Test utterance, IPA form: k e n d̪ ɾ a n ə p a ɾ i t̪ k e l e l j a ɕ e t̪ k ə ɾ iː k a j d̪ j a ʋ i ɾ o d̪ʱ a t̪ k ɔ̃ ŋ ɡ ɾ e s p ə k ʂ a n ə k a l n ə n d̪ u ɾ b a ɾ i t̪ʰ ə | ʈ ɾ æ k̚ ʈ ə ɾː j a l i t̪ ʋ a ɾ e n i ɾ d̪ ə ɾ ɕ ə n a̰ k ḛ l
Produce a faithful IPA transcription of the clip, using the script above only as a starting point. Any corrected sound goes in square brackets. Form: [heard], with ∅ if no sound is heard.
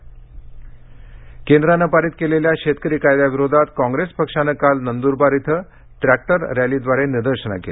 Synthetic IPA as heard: k e n d̪ ɾ a n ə p a ɾ i t̪ k e l e l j a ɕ e t̪ k ə ɾ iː k a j d̪ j a ʋ i ɾ o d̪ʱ a t̪ k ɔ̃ ŋ ɡ ɾ e s p ə k ʂ a n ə k a l n ə n d̪ u ɾ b a ɾ i t̪ʰ ə | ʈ ɾ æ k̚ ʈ ə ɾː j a l i [d̪] ʋ a ɾ e n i ɾ d̪ ə ɾ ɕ ə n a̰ k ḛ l